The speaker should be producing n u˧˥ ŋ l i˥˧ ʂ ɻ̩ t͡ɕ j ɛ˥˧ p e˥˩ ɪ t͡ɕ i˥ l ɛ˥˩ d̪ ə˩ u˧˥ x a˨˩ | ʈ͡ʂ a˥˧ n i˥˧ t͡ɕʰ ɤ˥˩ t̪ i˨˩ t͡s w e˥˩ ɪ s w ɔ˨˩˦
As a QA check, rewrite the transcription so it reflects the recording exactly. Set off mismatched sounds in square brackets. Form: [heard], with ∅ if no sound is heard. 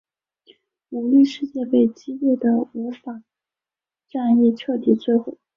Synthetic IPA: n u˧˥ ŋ l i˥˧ ʂ ɻ̩ t͡ɕ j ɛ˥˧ p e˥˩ ɪ t͡ɕ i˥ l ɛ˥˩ d̪ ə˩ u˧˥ [f] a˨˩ | ʈ͡ʂ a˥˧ n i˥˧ t͡ɕʰ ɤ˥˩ t̪ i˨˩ t͡s w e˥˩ ɪ [x] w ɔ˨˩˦